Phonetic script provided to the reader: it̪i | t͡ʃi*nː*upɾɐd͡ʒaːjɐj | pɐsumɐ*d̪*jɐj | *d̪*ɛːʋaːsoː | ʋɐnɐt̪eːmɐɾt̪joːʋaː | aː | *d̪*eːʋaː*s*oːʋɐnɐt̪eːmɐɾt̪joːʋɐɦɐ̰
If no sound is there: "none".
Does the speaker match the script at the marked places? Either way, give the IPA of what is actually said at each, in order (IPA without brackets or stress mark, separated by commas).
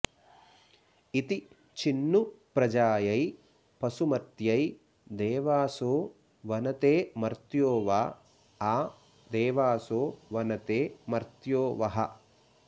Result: nː, t̪, d̪, d̪, s